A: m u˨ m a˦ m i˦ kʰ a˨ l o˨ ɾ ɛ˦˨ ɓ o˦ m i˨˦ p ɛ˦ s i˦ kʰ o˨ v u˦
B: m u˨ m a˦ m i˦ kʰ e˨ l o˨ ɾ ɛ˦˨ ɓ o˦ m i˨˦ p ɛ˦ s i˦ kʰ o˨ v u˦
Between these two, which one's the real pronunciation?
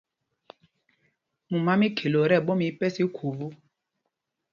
B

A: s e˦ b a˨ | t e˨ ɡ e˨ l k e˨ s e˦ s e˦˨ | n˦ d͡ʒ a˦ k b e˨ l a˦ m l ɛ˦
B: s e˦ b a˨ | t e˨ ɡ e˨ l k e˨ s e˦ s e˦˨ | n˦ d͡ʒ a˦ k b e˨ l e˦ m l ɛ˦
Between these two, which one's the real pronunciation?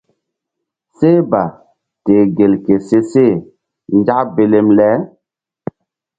B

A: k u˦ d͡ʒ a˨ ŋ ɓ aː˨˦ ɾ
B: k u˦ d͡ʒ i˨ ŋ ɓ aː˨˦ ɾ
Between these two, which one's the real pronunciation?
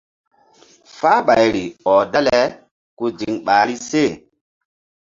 B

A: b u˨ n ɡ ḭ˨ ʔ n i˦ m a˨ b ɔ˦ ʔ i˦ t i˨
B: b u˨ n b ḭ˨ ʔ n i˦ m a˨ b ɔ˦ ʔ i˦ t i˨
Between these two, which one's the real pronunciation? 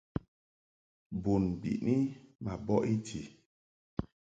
B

